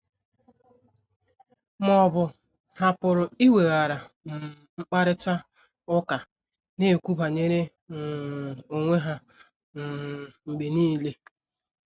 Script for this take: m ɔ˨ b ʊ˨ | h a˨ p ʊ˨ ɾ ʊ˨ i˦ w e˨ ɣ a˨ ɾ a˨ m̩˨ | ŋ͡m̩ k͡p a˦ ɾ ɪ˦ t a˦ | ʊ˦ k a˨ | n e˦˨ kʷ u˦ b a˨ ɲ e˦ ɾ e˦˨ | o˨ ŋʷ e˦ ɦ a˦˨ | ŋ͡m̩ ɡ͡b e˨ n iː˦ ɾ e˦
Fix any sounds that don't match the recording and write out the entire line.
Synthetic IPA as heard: m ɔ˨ b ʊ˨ | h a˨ p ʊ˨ ɾ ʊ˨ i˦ w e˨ ɣ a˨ ɾ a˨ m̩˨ | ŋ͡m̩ k͡p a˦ ɾ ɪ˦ t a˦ | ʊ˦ k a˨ | n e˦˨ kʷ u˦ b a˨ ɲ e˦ ɾ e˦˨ | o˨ ŋʷ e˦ ɦ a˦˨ | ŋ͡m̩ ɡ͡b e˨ n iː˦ l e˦